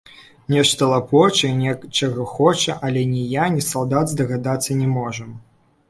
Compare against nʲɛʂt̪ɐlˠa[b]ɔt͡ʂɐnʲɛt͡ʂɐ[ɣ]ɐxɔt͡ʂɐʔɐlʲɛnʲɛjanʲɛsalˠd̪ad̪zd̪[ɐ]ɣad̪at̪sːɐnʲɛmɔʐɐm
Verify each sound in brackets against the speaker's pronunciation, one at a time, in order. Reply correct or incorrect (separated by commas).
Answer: incorrect, correct, correct